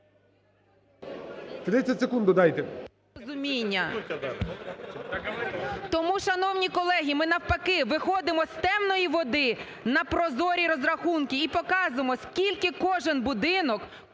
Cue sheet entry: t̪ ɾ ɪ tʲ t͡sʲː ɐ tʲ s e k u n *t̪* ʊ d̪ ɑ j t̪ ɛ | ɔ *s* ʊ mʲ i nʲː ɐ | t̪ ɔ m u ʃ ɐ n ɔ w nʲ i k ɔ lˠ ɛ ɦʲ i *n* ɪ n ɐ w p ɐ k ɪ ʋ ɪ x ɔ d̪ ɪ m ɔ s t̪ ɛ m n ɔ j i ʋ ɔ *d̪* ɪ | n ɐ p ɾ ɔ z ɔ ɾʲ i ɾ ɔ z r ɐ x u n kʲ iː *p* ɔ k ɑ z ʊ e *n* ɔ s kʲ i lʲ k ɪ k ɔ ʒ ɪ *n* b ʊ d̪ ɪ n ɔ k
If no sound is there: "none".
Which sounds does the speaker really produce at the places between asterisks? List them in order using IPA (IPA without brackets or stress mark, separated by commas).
d̪, z, m, d̪, p, m, n